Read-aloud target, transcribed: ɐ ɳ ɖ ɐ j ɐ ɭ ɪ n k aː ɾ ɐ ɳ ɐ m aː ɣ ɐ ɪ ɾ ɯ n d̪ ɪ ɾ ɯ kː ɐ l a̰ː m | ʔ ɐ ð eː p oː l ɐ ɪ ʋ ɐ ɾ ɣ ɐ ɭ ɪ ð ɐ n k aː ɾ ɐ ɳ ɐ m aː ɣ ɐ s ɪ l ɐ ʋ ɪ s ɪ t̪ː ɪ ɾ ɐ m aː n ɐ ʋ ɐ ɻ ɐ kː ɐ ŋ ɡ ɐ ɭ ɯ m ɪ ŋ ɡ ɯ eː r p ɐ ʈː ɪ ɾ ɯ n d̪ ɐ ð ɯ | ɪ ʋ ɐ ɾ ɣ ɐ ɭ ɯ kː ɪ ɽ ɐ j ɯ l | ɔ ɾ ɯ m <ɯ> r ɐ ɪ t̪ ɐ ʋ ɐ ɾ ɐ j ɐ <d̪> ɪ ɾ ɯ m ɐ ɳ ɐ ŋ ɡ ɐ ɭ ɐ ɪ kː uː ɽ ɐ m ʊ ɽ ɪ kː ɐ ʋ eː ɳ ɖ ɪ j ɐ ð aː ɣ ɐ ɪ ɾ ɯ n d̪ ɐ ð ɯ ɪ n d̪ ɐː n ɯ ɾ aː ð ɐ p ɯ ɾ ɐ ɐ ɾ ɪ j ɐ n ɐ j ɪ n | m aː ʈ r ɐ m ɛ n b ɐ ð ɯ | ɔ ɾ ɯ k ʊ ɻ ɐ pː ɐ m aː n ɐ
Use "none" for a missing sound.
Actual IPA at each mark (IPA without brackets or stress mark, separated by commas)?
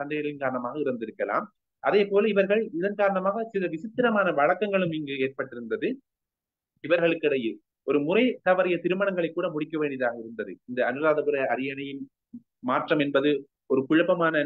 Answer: ʊ, t̪